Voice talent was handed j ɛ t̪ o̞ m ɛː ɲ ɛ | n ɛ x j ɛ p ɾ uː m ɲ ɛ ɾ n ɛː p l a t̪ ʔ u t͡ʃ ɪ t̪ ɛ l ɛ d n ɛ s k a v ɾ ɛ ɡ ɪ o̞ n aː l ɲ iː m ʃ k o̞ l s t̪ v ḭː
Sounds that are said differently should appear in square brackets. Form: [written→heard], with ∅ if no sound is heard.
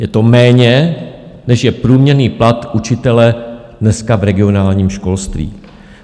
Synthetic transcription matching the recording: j ɛ t̪ o̞ m ɛː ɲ ɛ | n ɛ [x→ʃ] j ɛ p ɾ uː m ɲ ɛ ɾ n [ɛː→iː] p l a t̪ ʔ u t͡ʃ ɪ t̪ ɛ l ɛ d n ɛ s k a v ɾ ɛ ɡ ɪ o̞ n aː l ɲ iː m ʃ k o̞ l s t̪ v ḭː